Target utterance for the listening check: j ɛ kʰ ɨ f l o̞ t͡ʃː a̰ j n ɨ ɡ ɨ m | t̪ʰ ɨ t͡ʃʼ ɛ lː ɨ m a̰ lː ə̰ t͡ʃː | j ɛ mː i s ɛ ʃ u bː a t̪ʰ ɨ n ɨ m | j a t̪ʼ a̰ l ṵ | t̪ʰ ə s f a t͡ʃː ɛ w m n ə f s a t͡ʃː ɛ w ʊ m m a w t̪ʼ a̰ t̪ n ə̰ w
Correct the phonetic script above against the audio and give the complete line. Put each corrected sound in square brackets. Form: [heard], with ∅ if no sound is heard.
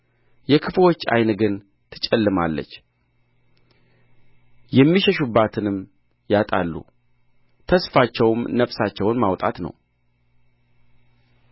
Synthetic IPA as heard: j ɛ kʰ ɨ f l o̞ t͡ʃː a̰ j n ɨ ɡ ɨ [n] | t̪ʰ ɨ t͡ʃʼ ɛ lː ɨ m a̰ lː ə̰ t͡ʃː | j ɛ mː i [ʃ] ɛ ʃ u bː a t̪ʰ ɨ n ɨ m | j a t̪ʼ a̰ [lː] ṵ | t̪ʰ ə s f a t͡ʃː ɛ w m n ə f s a t͡ʃː ɛ w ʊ [n] m a w t̪ʼ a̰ t̪ n ə̰ w

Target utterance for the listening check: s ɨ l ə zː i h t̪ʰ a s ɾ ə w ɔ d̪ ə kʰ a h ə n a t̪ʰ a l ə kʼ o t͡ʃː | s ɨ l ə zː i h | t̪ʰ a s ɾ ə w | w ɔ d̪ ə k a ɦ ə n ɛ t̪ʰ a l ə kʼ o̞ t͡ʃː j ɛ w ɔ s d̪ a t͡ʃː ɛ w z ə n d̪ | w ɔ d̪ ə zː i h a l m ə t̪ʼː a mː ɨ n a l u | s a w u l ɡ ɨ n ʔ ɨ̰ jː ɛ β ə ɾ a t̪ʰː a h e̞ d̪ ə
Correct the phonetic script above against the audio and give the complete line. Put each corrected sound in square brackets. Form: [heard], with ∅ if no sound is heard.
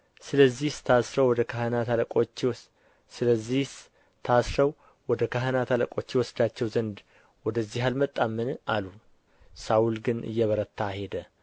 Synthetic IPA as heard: s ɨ l ə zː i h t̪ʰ a s ɾ ə w ɔ d̪ ə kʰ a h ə n a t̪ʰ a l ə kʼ o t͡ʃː | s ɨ l ə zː i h | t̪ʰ a s ɾ ə w | w ɔ d̪ ə k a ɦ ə n [a] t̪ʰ a l ə kʼ o̞ t͡ʃː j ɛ w ɔ s d̪ a t͡ʃː ɛ w z ə n d̪ | w ɔ d̪ ə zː i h a l m ə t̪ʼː a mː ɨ n a l u | s a w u l ɡ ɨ n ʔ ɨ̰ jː ɛ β ə ɾ [ə] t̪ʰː a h e̞ d̪ ə

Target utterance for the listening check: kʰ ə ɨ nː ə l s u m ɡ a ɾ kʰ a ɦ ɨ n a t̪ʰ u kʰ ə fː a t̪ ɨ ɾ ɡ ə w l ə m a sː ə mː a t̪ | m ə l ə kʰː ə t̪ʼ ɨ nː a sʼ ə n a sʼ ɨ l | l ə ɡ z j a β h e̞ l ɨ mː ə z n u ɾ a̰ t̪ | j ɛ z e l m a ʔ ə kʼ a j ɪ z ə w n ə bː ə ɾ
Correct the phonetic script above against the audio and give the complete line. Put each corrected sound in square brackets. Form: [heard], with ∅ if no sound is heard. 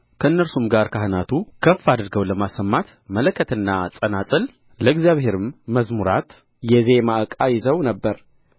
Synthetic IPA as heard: kʰ ə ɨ nː ə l s u m ɡ a ɾ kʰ a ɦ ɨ n a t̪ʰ u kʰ ə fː a [d̪] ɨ ɾ ɡ ə w l ə m a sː ə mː a t̪ | m ə l ə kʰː ə [t̪] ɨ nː a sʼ ə n a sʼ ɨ l | l ə ɡ z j a β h e̞ [ɾ] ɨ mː ə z [m] u ɾ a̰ t̪ | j ɛ z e [∅] m a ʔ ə kʼ a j ɪ z ə w n ə bː ə ɾ

